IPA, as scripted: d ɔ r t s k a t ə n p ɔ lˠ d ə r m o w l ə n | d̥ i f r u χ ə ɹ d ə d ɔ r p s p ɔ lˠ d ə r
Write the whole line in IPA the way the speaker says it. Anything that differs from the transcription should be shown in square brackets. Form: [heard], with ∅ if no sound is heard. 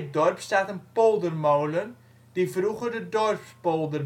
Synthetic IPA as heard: d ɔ r [p] s [t] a t ə n p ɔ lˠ d ə r m o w l ə n | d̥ i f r u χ ə [r] d ə d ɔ r p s p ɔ lˠ d ə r

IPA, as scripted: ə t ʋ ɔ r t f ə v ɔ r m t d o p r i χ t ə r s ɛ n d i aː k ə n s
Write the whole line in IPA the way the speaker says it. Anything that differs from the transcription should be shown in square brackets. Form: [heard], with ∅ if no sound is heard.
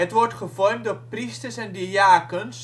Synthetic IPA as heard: ə t ʋ ɔ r t [χ] ə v ɔ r m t d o p r i [s] t ə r s ɛ n d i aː k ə n s

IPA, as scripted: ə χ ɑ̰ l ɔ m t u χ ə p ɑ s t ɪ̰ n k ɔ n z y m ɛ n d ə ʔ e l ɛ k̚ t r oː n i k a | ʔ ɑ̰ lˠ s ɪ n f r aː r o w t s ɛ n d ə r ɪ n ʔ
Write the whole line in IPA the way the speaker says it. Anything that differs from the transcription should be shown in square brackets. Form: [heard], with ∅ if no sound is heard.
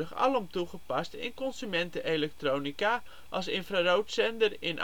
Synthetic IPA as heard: ə χ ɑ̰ l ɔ m t u χ ə p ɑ s t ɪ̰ n k ɔ n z y m ɛ n [t] ə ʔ e l ɛ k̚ t r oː n i k a | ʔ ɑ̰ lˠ s ɪ n f r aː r o w t s ɛ n d ə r ɪ n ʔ

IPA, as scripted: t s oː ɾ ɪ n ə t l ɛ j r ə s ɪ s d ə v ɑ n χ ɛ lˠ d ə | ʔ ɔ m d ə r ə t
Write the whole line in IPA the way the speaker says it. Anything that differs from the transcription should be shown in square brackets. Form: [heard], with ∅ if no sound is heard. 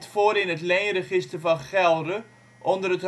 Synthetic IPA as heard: t [f] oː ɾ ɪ n ə t l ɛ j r ə [χ] ɪ s [t] ə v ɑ n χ ɛ lˠ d ə | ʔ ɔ [n] d ə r ə t

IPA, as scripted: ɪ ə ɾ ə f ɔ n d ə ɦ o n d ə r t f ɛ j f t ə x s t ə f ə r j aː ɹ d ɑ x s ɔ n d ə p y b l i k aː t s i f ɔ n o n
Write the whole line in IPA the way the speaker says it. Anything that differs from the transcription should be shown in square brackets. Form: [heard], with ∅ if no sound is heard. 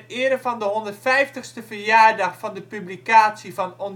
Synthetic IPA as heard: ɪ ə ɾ ə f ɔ n d ə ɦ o n d ə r t f ɛ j f t ə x s t ə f ə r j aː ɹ d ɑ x [f] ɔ n d ə p y b l i k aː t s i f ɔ n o n

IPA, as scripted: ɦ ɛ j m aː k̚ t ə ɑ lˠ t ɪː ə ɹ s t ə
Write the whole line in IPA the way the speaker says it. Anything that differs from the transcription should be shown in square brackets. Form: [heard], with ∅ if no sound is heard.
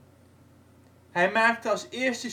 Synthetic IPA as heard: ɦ ɛ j m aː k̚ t ə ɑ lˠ [s] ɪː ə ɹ s t ə

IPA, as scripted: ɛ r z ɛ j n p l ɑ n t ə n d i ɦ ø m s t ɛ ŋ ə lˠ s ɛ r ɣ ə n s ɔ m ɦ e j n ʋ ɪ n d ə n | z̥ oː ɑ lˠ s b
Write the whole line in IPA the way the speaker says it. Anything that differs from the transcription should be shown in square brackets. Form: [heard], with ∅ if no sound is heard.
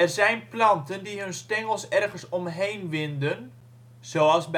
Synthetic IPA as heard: ɛ r z ɛ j n p l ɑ n t ə n d i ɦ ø [n] s t ɛ ŋ ə lˠ s ɛ r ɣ ə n s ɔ m ɦ e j n ʋ ɪ n d ə n | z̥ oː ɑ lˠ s b

